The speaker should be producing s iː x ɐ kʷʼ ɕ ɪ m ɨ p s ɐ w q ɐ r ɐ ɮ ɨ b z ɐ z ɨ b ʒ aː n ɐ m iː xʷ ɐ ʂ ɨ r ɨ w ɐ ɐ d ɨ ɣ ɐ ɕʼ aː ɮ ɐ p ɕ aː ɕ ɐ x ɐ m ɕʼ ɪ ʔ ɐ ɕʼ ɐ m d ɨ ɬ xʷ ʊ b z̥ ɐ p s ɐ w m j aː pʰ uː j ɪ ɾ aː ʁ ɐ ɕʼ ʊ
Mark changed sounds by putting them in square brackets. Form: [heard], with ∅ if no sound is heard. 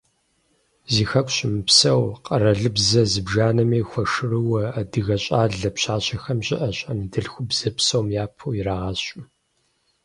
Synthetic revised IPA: [z] iː x ɐ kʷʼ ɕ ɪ m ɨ p s ɐ w q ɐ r ɐ ɮ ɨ b z ɐ z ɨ b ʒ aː n ɐ m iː xʷ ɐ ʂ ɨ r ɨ w ɐ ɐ d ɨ ɣ ɐ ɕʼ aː ɮ ɐ p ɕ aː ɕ ɐ x ɐ m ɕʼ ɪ ʔ ɐ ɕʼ ɐ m d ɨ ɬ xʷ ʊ b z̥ ɐ p s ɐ w m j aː pʰ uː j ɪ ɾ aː ʁ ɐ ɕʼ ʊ